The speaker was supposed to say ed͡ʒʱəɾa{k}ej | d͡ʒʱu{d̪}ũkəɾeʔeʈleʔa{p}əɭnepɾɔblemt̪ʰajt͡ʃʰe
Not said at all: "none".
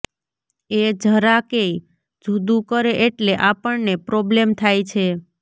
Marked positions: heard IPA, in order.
k, d̪, p

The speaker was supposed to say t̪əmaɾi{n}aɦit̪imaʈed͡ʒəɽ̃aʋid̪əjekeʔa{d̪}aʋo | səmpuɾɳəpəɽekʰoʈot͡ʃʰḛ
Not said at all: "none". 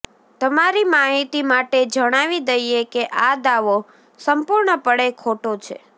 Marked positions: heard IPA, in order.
m, d̪

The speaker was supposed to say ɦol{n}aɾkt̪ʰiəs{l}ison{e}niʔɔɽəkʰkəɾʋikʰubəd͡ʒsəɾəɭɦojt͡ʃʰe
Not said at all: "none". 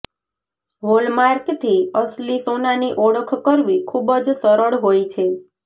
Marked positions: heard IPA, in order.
m, l, a

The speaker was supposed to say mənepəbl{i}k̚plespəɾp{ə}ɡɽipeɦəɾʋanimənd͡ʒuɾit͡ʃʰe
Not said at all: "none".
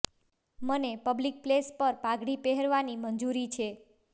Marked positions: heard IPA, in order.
i, a

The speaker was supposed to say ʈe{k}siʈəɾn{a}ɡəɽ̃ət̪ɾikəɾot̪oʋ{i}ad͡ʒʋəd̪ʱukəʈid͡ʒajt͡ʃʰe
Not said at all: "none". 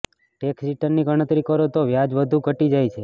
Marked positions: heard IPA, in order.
k, i, j

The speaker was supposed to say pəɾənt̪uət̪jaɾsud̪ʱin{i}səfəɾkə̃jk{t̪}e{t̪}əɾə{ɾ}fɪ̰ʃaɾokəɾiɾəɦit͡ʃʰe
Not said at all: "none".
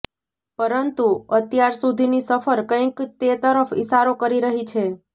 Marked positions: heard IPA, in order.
i, t̪, t̪, none

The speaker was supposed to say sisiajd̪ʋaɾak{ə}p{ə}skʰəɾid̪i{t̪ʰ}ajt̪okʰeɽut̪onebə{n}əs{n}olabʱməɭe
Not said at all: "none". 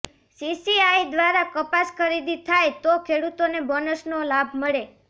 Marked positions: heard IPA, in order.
ə, a, t̪ʰ, n, n

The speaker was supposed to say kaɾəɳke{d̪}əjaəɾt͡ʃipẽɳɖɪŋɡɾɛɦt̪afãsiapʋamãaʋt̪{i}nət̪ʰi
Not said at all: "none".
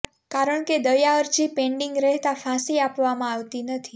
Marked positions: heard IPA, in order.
d̪, i

